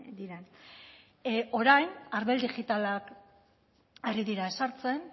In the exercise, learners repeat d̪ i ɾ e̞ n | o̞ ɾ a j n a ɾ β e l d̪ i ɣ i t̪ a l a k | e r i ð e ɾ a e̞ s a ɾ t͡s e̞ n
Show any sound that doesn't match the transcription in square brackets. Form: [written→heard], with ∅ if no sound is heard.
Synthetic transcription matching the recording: d̪ i ɾ e̞ n | o̞ ɾ a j n a ɾ β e l d̪ i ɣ i t̪ a l a k | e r i ð [e→i] ɾ a e̞ s a ɾ t͡s e̞ n